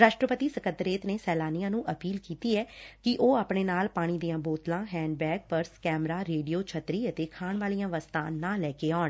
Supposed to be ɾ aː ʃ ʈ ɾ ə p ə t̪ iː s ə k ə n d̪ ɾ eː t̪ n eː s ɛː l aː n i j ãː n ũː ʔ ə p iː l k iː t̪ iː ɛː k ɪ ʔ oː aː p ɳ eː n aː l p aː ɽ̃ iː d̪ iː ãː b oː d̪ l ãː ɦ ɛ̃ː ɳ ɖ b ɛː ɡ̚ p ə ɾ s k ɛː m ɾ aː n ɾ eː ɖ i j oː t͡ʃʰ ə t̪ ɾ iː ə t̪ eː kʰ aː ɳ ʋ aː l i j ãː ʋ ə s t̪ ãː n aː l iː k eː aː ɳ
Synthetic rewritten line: ɾ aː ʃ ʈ ɾ ə p ə t̪ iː s ə k ə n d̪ ɾ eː t̪ n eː s ɛː l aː n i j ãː n ũː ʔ ə p iː l k iː t̪ iː ɛː k ɪ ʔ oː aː p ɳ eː n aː l p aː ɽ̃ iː d̪ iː ãː b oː t̪ l ãː ɦ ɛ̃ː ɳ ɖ b ɛː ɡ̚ p ə ɾ s k ɛː m ɾ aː ɾ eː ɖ i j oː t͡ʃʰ ə t̪ ɾ iː ə t̪ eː kʰ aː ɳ ʋ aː l i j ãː ʋ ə s t̪ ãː n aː l ɛː k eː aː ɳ